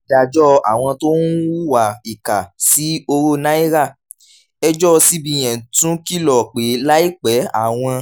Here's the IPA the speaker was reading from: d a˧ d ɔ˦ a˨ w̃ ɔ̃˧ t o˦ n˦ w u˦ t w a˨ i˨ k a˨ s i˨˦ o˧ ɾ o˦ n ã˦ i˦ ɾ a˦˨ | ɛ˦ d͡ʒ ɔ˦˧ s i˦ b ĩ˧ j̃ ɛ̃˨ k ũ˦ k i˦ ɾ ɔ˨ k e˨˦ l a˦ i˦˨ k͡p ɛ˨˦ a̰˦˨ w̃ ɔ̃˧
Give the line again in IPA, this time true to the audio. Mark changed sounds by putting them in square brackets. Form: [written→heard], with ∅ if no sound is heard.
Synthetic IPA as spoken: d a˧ [d→d͡ʒ] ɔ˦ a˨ w̃ ɔ̃˧ t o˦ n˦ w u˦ [t→∅] w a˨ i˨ k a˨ s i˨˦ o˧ ɾ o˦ n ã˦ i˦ ɾ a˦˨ | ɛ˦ d͡ʒ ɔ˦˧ s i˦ b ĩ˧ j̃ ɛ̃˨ [k→t] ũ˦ k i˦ [ɾ→l] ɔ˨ [k→k͡p] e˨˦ l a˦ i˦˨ k͡p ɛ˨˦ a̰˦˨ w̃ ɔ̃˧